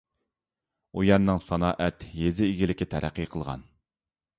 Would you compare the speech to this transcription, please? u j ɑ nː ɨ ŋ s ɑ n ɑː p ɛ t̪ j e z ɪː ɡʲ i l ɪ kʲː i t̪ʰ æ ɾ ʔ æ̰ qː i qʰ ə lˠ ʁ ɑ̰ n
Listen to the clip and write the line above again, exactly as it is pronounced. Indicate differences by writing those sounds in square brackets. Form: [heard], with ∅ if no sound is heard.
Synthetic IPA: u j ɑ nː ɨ ŋ s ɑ n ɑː [ʔ] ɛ t̪ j e z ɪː ɡʲ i l ɪ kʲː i t̪ʰ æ ɾ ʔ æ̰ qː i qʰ ə lˠ ʁ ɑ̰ n